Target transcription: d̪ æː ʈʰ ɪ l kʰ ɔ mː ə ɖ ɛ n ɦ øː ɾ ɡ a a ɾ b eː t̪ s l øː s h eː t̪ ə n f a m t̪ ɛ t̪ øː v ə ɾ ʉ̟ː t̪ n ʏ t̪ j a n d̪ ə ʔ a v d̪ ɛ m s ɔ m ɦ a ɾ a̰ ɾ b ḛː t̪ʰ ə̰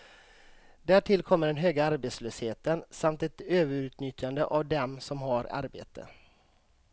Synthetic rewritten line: d̪ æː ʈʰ ɪ l kʰ ɔ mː ə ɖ ɛ n ɦ øː ɡ a a ɾ b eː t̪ s l øː s h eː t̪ ə n s a m t̪ ɛ t̪ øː v ə ɾ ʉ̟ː t̪ n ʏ t̪ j a n d̪ ə ʔ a v d̪ ɛ m s ɔ m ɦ a ɾ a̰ ɾ b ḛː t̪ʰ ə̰